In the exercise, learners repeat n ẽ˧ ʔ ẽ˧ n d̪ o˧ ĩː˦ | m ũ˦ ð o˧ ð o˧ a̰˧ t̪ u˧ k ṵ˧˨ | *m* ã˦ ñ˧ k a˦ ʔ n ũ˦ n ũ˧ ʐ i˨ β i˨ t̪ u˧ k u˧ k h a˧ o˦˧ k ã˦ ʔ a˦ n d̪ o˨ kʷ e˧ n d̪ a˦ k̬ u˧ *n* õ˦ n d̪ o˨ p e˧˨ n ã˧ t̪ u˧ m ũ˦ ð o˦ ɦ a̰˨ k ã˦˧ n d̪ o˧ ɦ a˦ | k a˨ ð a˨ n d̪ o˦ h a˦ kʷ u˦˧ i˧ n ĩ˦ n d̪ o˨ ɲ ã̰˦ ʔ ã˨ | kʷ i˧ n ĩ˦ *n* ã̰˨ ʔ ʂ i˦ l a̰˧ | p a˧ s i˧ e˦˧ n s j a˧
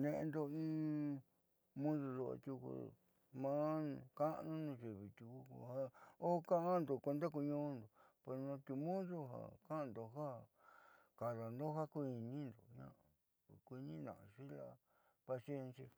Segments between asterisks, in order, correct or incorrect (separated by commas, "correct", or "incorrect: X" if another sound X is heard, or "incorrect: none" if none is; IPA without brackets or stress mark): correct, incorrect: ɲ, correct